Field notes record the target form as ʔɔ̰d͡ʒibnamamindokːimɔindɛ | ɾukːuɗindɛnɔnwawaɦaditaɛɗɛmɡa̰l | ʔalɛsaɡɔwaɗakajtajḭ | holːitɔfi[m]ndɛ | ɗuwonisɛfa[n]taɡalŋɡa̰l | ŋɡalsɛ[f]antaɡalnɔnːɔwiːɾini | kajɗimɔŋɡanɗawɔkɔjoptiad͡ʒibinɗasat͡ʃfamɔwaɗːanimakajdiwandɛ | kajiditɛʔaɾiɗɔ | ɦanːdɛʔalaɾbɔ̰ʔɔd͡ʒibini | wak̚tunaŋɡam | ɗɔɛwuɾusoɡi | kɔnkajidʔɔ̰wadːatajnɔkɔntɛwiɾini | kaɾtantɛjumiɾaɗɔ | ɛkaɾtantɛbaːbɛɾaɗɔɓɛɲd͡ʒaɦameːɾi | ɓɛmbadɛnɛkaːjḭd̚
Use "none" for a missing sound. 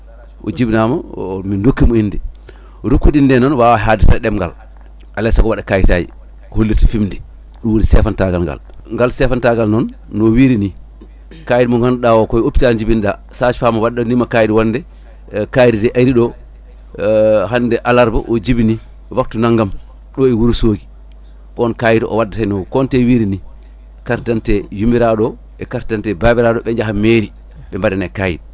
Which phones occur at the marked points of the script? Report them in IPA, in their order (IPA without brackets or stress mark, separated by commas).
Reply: m, n, f